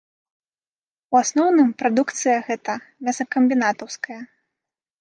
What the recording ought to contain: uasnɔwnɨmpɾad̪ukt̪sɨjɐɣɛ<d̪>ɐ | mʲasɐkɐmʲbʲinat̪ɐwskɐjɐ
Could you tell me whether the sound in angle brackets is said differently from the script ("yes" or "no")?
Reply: yes